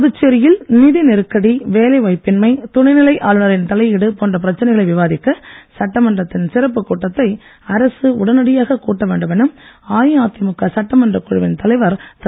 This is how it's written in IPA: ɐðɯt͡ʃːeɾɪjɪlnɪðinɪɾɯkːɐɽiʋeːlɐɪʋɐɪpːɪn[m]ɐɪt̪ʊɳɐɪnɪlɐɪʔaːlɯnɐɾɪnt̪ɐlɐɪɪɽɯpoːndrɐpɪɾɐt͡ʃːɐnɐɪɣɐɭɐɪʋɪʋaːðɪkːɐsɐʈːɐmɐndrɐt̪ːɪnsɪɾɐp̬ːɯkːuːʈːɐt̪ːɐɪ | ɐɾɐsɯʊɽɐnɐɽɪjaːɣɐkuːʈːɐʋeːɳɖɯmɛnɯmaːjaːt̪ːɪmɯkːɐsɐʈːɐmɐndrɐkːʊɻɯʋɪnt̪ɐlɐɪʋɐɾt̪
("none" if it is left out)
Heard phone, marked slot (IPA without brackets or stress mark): m